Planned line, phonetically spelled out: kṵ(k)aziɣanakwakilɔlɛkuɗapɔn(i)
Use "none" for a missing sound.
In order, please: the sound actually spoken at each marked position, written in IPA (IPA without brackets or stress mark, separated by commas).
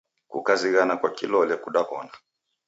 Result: k, a